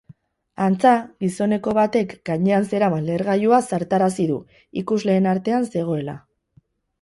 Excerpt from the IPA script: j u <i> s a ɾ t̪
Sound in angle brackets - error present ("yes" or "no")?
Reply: yes